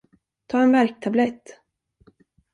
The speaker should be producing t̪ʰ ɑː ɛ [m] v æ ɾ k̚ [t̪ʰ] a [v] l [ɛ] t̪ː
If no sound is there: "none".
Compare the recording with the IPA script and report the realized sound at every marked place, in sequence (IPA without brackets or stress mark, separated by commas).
n, t̪ʰ, b, ɛ